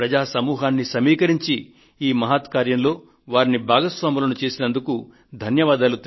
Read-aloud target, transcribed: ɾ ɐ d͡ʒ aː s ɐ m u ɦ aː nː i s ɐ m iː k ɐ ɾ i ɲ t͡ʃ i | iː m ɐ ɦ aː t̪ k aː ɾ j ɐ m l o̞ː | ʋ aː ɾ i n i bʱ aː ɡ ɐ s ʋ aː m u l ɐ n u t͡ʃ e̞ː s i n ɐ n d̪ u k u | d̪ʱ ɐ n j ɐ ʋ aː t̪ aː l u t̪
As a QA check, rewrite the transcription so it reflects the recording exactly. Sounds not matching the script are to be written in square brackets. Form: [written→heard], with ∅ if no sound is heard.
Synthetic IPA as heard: ɾ ɐ d͡ʒ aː s ɐ m [u→uː] ɦ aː nː i s ɐ m iː k ɐ ɾ i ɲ t͡ʃ i | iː m ɐ ɦ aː t̪ k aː ɾ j ɐ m l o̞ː | ʋ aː ɾ i n i bʱ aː ɡ ɐ s ʋ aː m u l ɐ n u t͡ʃ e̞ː s i n ɐ n d̪ u k u | d̪ʱ ɐ n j ɐ ʋ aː [t̪→d̪] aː l u t̪